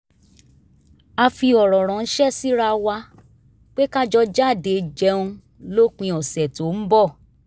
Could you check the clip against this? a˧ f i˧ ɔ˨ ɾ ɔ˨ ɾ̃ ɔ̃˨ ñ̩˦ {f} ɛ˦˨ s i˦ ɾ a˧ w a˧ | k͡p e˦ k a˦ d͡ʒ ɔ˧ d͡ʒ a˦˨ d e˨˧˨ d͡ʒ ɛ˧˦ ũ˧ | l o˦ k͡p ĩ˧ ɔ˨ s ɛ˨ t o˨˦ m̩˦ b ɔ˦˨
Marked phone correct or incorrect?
incorrect